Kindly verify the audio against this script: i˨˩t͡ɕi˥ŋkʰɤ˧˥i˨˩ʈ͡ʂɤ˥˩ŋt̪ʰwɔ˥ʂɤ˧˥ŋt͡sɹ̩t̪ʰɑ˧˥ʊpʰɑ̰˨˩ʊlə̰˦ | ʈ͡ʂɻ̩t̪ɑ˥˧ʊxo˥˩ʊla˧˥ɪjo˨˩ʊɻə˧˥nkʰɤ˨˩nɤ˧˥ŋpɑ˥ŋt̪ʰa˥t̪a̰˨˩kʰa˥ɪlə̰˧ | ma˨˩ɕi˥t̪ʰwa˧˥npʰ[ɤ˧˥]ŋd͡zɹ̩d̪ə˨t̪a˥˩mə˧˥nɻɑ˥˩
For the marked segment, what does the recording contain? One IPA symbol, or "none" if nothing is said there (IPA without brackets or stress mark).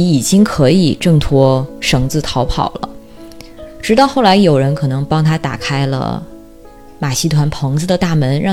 ɤ˧˥